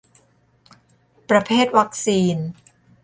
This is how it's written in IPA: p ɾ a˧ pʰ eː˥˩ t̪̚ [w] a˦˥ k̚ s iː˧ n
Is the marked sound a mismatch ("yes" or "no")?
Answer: no